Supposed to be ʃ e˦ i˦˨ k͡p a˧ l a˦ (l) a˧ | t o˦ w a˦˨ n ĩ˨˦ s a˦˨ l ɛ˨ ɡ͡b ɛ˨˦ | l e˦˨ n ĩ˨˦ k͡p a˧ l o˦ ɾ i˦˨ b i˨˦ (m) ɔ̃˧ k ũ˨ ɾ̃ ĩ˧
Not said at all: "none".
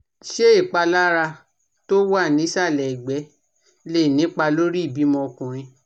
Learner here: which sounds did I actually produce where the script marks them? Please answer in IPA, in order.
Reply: ɾ, m

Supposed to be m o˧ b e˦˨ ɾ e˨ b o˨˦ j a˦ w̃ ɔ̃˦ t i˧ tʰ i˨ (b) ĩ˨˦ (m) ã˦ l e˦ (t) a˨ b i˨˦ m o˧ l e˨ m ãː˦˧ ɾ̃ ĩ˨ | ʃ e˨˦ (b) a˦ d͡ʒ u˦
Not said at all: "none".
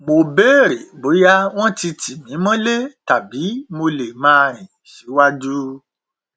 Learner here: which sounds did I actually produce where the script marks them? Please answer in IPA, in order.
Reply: m, m, t, w

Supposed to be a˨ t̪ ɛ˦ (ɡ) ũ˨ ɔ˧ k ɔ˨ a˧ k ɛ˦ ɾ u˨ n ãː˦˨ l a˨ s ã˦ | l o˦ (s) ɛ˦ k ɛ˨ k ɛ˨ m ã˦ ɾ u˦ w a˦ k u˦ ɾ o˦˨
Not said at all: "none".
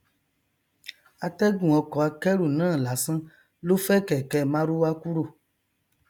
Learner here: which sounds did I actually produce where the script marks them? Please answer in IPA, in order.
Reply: ɡ, f

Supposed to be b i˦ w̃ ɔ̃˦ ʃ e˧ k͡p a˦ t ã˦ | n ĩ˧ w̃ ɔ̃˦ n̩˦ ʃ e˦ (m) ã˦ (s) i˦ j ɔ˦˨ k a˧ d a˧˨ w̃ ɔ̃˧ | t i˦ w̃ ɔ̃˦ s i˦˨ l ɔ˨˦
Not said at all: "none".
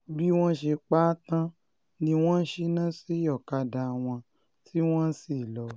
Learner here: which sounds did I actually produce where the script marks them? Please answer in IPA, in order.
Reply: n, s

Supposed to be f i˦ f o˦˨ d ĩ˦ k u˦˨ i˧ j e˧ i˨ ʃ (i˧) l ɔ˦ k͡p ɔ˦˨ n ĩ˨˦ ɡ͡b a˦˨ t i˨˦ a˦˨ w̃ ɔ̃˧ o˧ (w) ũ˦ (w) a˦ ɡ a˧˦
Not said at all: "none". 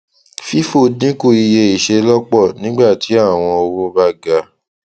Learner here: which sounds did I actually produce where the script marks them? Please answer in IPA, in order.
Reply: e˧, w, b

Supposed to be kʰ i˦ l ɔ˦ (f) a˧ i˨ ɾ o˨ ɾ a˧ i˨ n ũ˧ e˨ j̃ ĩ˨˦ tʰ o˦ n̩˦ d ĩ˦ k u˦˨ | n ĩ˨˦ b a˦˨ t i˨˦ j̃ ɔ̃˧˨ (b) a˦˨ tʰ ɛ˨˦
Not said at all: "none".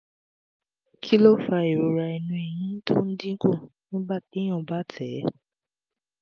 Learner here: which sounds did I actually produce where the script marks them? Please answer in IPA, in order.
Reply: f, b

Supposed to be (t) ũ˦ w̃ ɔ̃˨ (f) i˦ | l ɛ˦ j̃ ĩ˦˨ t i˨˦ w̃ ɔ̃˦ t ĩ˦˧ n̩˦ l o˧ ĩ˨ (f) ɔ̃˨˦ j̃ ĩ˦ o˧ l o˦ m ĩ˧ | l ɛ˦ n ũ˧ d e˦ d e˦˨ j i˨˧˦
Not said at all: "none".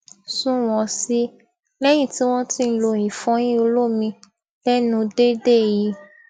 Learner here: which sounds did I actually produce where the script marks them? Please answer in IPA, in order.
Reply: s, s, f

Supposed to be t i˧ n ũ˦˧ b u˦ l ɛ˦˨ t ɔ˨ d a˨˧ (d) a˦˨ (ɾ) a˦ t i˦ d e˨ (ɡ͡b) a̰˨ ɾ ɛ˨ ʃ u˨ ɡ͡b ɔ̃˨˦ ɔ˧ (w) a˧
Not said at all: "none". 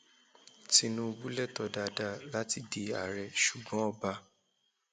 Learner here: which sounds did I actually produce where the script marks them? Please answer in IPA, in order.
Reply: d, l, none, b

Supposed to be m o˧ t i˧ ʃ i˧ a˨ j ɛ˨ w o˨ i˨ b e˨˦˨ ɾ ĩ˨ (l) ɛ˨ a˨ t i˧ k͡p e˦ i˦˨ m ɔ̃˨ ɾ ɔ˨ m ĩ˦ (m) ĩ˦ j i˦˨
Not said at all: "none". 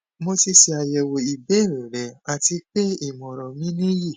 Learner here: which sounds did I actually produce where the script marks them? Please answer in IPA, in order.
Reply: ɾ, n

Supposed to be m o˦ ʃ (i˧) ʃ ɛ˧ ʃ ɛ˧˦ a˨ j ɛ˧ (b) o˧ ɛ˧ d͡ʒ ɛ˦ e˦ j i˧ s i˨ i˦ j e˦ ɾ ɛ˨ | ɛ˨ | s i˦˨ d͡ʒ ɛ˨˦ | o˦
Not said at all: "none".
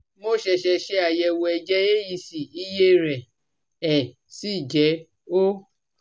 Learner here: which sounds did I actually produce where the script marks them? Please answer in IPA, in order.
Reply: ɛ˧, w

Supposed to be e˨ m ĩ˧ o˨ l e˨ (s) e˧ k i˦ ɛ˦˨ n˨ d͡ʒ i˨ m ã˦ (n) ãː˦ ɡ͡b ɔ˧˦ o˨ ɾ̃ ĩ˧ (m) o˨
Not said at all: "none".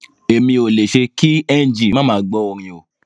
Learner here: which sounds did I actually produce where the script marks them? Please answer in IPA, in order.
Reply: ʃ, m, none

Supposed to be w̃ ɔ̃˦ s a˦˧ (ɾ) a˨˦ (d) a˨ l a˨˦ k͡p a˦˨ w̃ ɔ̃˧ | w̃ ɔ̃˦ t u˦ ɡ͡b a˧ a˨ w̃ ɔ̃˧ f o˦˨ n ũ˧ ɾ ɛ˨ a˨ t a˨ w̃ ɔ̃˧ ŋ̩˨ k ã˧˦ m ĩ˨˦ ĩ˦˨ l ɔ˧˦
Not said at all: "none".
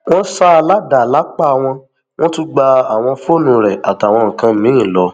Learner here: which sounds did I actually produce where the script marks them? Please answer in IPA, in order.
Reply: l, d

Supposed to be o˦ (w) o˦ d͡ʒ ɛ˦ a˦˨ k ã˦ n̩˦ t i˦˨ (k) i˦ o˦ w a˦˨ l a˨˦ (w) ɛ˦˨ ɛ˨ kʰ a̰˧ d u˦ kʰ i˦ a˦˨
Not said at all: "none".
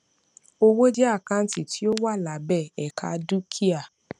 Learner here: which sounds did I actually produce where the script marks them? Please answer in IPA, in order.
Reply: w, t, b

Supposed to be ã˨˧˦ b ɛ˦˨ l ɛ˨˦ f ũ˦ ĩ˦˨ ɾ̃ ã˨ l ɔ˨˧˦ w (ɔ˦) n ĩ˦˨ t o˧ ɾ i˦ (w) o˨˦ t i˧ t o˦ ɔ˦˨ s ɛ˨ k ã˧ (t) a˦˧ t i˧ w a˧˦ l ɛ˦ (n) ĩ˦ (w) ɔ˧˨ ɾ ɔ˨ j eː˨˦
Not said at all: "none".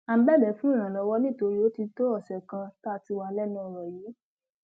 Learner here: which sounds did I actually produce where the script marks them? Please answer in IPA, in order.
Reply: ɔ˦, none, t, n, none

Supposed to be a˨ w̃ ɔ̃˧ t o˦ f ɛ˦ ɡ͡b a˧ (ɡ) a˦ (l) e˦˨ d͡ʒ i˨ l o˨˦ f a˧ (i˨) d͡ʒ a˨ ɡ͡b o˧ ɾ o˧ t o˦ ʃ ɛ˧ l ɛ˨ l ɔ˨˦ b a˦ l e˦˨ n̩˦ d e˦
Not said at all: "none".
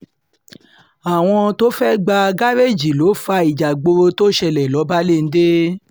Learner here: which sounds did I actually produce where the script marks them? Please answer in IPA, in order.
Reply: ɡ, ɾ, i˨

